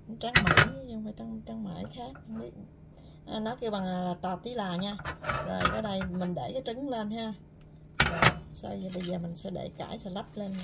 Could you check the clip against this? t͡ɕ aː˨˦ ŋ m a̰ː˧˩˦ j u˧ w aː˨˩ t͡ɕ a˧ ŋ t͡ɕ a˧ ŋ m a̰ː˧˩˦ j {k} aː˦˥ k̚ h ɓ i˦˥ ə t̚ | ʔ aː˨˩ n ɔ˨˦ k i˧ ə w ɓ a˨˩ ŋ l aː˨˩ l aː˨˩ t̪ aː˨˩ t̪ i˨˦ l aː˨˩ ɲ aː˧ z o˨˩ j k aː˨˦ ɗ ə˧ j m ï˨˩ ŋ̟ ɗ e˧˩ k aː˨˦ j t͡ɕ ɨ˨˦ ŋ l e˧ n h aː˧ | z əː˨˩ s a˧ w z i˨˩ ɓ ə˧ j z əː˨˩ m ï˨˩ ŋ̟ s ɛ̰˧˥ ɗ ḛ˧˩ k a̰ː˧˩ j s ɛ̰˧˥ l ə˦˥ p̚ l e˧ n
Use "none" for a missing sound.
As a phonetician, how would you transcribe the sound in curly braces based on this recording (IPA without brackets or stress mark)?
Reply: x